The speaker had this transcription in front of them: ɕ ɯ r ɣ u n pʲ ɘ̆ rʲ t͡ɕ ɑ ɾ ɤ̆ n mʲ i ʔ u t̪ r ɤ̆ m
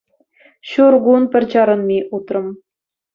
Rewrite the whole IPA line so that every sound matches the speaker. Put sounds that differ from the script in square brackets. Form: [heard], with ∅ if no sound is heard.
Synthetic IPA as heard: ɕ [u] r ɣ u n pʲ ɘ̆ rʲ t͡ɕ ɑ ɾ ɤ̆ n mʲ i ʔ u t̪ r ɤ̆ m